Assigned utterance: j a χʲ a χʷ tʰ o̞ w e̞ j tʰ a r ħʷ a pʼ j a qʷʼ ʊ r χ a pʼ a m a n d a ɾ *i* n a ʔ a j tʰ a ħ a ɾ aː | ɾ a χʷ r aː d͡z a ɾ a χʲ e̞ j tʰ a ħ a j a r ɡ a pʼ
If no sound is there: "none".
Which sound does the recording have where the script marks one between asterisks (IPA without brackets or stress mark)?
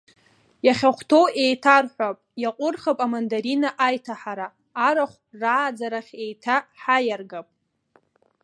i